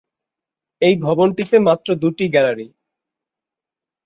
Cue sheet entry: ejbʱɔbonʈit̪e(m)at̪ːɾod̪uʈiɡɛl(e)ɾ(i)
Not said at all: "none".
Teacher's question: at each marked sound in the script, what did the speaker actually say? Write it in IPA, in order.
m, a, i

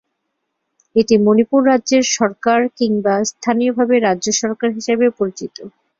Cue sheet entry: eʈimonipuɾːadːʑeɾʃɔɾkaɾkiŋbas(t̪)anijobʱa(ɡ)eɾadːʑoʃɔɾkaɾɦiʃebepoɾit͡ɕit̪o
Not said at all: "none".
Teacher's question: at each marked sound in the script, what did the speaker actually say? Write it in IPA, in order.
t̪ʰ, b

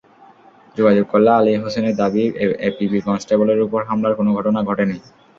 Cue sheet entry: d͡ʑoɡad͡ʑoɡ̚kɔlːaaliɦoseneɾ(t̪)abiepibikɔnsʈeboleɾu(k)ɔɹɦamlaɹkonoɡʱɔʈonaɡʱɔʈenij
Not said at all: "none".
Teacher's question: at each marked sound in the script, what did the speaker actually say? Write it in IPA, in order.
d̪, p

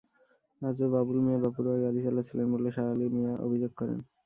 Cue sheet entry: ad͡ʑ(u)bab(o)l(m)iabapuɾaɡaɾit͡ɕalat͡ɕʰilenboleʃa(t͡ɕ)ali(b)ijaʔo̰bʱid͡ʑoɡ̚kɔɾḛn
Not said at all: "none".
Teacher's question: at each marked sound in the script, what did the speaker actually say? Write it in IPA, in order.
o, u, m, none, m

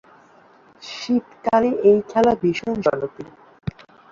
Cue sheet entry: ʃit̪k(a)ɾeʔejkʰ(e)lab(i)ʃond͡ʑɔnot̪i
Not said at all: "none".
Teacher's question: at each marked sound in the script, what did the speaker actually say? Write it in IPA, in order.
a, ɛ, i

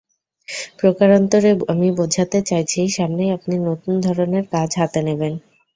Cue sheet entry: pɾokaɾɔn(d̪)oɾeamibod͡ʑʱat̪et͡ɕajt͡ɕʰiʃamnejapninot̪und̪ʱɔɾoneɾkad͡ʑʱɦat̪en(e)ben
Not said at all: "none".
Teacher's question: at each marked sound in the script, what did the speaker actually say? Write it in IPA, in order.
t̪, e

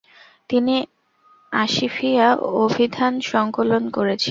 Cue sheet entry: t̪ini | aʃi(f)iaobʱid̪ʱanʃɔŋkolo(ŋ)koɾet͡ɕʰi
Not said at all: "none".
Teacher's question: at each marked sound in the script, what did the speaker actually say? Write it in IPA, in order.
f, n

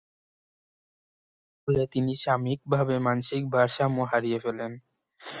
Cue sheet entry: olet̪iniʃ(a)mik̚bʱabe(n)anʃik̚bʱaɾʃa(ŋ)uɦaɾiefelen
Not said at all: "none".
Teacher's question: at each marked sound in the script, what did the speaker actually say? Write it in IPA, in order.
a, m, m

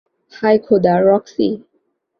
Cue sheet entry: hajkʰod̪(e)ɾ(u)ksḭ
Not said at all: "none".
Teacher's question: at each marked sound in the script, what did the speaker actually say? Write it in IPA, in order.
a, ɔ

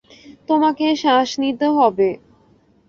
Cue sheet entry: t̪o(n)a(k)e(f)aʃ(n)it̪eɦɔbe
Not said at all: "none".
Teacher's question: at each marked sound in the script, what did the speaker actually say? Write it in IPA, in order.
m, k, ʃ, n

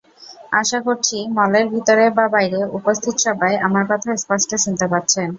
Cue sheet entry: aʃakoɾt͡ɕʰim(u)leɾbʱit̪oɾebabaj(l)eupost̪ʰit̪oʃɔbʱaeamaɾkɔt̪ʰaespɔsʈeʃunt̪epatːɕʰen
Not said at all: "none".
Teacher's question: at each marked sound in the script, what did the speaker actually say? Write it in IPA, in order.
ɔ, ɾ

